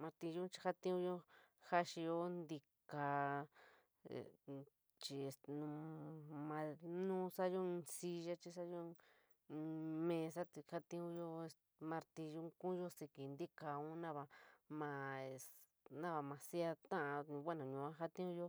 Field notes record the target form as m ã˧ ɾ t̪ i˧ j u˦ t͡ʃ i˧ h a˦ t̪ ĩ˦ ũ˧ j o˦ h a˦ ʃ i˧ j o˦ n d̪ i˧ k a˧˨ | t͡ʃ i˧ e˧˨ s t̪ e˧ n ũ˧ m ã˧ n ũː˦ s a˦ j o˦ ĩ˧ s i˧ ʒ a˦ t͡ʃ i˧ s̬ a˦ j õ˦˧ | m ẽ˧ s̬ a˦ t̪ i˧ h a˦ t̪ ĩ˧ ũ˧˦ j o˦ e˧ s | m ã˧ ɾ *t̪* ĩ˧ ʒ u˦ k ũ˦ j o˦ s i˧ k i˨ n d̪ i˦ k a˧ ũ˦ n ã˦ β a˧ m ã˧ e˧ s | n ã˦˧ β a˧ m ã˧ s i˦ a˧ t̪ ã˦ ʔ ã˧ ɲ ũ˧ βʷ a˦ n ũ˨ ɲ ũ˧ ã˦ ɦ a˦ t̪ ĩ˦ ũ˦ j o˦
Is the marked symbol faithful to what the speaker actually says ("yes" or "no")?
yes